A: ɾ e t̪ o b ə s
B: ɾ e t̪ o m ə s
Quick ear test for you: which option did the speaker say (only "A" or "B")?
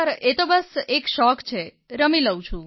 A